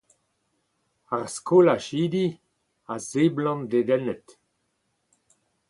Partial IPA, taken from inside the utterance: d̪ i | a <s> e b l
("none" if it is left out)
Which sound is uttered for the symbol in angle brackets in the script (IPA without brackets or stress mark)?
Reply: z